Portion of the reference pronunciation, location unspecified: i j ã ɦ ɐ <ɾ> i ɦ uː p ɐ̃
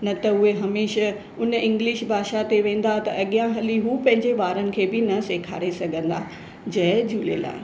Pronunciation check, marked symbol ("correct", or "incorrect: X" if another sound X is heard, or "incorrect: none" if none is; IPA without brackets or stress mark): incorrect: l